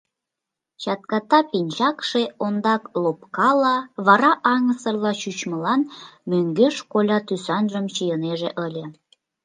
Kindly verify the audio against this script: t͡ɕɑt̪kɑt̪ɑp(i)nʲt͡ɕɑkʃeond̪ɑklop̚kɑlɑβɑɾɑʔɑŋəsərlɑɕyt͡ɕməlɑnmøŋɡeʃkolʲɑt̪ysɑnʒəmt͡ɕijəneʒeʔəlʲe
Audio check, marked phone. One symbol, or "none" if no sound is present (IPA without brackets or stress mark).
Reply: i